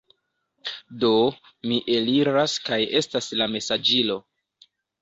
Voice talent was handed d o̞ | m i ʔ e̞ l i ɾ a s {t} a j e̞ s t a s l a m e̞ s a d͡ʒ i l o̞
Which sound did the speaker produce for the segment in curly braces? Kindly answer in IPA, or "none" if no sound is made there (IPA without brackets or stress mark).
k